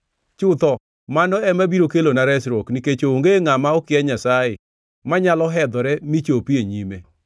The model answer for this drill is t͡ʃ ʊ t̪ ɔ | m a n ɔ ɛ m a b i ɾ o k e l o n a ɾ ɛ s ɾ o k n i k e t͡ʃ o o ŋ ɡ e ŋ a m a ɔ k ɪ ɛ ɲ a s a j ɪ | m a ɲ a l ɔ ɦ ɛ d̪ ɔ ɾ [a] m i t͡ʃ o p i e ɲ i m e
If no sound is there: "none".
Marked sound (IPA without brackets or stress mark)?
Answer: ɛ